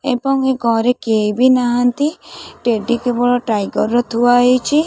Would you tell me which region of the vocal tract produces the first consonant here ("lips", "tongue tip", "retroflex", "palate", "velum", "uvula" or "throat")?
lips